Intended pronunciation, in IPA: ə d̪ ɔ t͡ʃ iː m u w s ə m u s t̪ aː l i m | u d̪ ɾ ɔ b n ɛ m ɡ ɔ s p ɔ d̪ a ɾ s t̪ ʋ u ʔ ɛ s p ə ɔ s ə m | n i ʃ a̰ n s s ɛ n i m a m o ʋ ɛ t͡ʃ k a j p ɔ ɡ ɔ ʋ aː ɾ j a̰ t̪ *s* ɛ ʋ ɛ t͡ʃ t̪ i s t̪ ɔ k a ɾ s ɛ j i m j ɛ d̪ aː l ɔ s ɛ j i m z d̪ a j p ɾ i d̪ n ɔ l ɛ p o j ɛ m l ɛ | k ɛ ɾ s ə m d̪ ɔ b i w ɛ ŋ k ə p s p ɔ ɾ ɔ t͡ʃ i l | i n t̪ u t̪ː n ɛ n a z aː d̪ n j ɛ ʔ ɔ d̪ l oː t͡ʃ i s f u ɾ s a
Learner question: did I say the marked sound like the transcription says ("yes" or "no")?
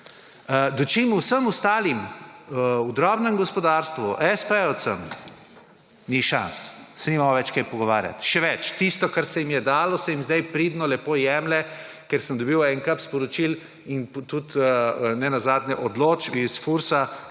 no